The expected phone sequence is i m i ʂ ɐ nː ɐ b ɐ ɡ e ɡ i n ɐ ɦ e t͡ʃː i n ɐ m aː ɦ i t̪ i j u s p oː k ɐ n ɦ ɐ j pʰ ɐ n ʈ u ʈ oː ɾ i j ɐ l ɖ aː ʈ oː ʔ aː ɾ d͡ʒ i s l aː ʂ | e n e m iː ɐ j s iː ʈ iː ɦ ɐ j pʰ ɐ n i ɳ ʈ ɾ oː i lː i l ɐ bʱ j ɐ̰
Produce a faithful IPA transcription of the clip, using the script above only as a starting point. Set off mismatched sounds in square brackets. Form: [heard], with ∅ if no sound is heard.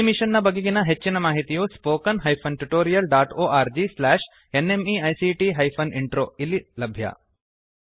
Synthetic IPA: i m i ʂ ɐ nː ɐ b ɐ ɡ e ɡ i n ɐ ɦ e t͡ʃː i n ɐ m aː ɦ i t̪ i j u s p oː k ɐ n ɦ ɐ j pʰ ɐ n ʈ u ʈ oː ɾ i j ɐ l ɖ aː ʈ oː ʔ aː ɾ d͡ʒ i s l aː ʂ | e n e m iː ɐ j s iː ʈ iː ɦ ɐ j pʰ ɐ n i ɳ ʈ ɾ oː i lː i l ɐ bʱ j ɐ̰